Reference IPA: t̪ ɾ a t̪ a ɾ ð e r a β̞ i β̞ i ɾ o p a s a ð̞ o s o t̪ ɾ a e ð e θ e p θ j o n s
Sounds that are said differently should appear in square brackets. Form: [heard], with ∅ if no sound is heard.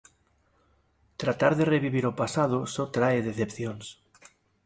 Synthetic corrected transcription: t̪ ɾ a t̪ a ɾ ð e r [e] β̞ i β̞ i ɾ o p a s a ð̞ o s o t̪ ɾ a e ð e θ e p θ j o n s